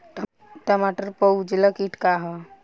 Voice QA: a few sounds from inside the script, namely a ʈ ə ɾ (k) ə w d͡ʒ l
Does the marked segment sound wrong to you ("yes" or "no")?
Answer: yes